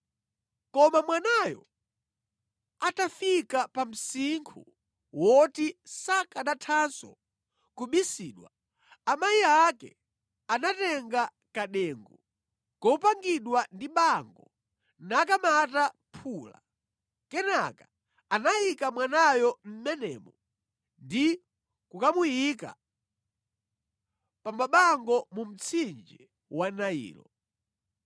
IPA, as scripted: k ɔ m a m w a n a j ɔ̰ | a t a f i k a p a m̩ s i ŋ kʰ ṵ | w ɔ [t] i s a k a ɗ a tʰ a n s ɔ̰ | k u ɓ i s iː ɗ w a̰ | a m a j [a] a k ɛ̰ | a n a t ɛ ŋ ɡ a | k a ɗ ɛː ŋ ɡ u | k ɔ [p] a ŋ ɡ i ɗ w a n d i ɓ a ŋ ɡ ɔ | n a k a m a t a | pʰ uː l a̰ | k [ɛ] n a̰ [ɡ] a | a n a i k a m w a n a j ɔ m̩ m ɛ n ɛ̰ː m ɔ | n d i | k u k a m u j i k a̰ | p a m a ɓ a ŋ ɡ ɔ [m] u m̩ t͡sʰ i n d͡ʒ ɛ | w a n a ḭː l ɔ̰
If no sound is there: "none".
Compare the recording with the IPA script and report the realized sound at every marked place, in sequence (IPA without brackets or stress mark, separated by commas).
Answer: t, i, p, ɛ, k, m